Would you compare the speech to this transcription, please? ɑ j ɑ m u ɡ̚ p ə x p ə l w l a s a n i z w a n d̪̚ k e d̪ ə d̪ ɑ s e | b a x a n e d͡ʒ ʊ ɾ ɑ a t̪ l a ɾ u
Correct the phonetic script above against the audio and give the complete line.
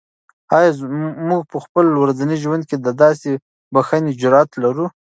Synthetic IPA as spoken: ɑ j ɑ m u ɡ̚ p ə x p ə l w ɾ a z a n i ʒ w a n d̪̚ k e d̪ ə d̪ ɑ s e | b a x a n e d͡ʒ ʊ ɾ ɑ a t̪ l a ɾ u